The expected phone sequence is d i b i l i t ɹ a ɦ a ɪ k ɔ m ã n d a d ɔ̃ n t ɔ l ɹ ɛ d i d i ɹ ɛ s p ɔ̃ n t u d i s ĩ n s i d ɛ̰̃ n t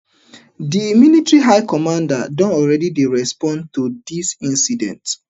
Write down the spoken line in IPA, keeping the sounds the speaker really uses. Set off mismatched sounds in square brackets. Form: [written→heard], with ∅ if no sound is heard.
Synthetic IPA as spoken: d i [b→m] i l i t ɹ [a→i] ɦ a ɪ k ɔ m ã n d a d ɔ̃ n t ɔ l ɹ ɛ d i d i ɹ ɛ s p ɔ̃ n t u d i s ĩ n s i d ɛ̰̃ n t